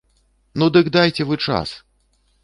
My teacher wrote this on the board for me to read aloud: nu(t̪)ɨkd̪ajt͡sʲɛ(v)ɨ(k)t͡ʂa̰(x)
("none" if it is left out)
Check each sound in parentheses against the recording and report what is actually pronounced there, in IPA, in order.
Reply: d̪, v, none, s

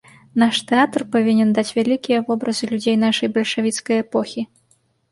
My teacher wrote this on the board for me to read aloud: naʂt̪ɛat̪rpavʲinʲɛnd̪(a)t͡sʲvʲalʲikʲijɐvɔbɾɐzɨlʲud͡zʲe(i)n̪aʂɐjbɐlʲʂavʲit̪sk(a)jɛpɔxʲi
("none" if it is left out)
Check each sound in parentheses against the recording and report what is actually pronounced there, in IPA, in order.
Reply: a, j, ɐ

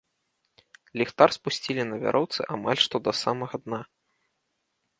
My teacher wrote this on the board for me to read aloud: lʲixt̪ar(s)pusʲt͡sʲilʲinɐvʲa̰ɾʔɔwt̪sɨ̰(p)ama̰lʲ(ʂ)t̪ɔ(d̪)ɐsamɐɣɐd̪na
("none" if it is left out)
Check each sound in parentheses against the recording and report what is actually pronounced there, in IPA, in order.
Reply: s, ʔ, ʂ, d̪

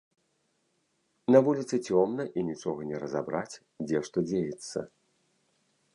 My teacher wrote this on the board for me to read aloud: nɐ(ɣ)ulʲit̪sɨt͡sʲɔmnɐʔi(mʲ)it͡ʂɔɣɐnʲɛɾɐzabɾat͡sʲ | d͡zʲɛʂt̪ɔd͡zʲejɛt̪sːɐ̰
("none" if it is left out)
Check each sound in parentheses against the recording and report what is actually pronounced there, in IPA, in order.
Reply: v, nʲ

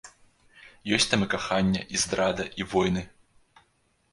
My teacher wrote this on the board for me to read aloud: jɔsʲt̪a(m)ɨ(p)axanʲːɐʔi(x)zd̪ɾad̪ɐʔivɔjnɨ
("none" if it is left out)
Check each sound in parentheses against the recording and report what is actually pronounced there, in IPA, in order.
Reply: m, k, none

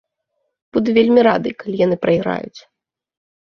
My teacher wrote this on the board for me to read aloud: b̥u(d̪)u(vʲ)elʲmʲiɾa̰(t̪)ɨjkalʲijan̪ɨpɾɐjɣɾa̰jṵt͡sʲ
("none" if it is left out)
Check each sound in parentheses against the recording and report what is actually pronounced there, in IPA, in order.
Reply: d̪, vʲ, d̪

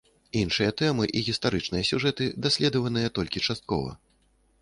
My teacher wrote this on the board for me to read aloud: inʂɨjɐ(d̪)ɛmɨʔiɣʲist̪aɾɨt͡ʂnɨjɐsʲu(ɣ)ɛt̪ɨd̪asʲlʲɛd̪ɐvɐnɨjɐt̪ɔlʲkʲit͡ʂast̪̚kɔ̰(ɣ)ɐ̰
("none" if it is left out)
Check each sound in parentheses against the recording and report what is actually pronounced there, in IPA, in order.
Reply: t̪, ʐ, v

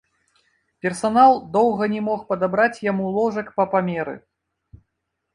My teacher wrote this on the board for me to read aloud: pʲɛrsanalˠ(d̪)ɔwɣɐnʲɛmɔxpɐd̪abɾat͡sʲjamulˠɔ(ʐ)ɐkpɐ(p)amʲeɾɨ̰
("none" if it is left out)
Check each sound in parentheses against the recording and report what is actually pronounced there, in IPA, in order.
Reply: d̪, ʐ, p

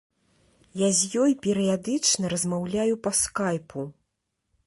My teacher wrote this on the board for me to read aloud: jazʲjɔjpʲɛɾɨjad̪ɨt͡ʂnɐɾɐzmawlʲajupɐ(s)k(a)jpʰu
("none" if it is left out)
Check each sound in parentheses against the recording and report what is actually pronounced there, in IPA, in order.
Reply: s, a

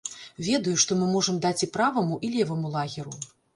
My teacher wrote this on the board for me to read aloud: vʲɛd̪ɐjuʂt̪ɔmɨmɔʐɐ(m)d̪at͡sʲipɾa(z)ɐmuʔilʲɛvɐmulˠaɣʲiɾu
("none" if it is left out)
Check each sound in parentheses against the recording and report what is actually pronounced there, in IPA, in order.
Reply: m, v

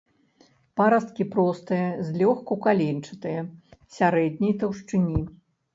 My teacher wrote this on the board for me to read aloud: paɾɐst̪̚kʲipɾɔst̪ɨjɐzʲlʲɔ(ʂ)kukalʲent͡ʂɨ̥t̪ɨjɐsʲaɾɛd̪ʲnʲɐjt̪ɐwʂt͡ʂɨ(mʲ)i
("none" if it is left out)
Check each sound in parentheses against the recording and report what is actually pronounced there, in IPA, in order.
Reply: x, nʲ

